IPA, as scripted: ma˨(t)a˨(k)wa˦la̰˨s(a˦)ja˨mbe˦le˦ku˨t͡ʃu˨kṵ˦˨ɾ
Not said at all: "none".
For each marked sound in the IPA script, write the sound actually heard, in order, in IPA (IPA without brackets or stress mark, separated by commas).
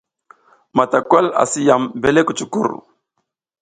t, k, i˦